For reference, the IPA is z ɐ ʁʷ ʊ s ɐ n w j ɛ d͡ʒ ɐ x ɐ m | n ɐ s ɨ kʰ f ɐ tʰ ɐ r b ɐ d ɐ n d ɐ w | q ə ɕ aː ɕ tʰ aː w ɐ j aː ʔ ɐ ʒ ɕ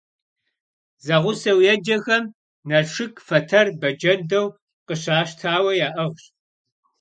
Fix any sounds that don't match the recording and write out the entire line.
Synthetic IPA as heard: z ɐ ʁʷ ʊ s ɐ w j ɛ d͡ʒ ɐ x ɐ m | n ɐ ʂ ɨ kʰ f ɐ tʰ ɐ r b ɐ d͡ʒ ɐ n d ɐ w | q ə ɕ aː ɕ tʰ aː w ɐ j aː ʔ ɐ ʁ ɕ